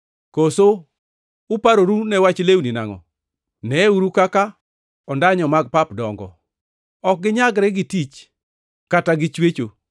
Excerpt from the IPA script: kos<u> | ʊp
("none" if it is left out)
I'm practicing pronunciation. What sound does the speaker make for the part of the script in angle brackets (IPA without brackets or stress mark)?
o